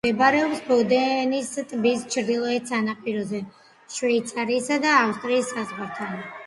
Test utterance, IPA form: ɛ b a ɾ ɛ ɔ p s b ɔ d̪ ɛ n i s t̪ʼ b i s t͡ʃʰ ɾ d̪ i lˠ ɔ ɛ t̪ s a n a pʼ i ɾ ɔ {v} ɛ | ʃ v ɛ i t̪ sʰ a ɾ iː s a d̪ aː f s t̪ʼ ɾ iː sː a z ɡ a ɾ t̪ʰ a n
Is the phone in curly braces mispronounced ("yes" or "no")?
yes